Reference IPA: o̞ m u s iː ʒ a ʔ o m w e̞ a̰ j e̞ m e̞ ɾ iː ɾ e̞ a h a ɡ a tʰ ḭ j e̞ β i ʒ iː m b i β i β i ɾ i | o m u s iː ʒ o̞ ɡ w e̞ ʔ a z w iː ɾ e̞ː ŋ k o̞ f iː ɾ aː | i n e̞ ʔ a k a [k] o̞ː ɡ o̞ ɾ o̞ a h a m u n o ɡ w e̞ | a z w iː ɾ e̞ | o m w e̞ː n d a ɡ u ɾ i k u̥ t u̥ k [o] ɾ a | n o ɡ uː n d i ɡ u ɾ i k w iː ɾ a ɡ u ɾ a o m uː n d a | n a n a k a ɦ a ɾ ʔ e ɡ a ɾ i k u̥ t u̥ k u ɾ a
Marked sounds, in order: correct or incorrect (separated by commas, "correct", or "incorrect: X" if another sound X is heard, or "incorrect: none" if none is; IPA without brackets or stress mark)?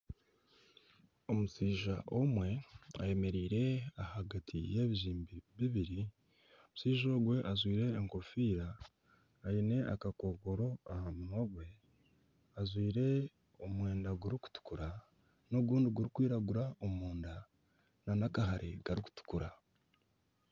correct, incorrect: u